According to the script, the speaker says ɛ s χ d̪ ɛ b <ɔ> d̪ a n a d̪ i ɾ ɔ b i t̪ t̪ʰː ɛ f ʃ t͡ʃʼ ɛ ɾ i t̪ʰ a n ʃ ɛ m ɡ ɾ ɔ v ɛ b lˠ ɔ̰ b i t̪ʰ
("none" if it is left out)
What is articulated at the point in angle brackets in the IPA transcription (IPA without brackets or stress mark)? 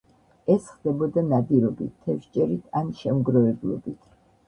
ɔ